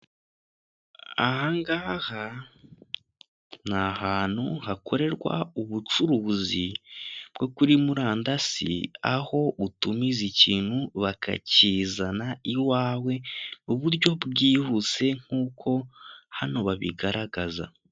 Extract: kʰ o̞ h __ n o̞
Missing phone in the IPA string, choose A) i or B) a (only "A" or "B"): B